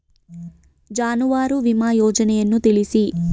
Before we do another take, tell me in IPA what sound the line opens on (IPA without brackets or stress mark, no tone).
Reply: d͡ʒ